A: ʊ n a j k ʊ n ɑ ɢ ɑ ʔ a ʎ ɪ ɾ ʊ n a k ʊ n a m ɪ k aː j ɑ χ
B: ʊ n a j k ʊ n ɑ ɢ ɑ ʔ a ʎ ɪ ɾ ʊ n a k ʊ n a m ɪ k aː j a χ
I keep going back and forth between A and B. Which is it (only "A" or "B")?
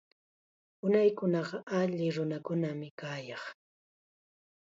A